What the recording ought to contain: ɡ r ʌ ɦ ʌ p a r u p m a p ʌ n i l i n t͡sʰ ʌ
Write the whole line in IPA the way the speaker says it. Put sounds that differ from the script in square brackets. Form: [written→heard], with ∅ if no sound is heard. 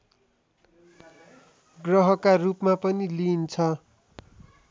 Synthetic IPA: ɡ r ʌ ɦ ʌ [p→k] a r u p m a p ʌ n i l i n t͡sʰ ʌ